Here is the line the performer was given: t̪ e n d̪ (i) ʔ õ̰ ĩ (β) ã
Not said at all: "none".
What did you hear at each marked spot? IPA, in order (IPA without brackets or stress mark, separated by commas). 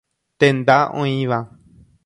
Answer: a, β